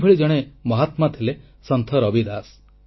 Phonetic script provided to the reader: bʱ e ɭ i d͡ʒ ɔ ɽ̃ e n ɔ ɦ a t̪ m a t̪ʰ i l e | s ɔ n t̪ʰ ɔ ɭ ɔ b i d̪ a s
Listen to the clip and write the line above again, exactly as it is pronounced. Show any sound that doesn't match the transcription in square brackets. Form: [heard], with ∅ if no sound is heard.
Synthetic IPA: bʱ e ɭ i d͡ʒ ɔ ɽ̃ e [m] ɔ ɦ a t̪ m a t̪ʰ i l e | s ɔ n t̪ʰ ɔ [ɾ] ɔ b i d̪ a s